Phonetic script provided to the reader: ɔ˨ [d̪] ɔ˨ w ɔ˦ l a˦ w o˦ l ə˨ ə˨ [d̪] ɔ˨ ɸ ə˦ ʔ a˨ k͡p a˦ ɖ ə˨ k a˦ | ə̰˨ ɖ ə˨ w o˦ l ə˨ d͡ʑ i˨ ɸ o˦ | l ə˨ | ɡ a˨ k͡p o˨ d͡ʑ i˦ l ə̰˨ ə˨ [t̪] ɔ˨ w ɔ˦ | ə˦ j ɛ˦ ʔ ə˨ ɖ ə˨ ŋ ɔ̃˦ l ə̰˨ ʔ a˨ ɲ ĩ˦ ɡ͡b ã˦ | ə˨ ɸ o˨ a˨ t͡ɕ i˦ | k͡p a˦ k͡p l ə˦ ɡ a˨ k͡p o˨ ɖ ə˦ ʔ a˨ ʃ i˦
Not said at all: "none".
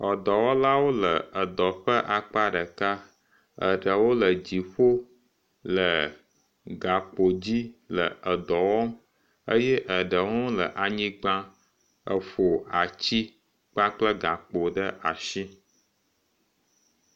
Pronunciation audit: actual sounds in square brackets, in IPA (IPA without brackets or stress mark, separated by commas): d̪, d̪, d̪